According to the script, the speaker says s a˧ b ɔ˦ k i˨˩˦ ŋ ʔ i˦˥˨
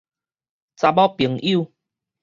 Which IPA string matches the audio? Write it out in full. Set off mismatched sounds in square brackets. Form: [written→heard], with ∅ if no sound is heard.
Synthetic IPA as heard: [s→t͡s] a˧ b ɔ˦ [k→p] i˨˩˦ ŋ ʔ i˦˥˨